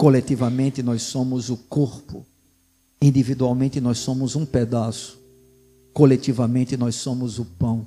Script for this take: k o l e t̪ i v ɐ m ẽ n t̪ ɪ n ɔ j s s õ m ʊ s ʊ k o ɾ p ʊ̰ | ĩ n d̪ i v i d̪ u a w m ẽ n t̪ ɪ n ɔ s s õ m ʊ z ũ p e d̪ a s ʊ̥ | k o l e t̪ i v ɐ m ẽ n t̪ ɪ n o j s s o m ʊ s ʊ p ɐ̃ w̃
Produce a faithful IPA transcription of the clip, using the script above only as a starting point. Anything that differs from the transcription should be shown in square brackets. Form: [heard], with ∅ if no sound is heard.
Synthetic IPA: k o l e t̪ i v ɐ m ẽ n t̪ ɪ n ɔ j s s õ m ʊ [z] ʊ k o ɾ p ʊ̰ | ĩ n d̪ i v i d̪ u a w m ẽ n t̪ ɪ n ɔ s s õ m ʊ z ũ p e d̪ a s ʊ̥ | k o l e t̪ i v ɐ m ẽ n t̪ ɪ n [ɔ] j s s [õ] m ʊ [z] ʊ p ɐ̃ w̃